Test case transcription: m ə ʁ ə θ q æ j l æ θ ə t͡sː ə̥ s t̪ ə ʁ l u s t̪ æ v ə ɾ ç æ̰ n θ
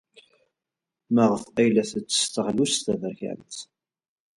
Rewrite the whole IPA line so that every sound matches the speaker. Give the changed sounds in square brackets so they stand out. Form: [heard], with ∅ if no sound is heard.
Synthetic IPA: m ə ʁ ə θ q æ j l æ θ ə t͡sː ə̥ s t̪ ə ʁ l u s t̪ æ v ə ɾ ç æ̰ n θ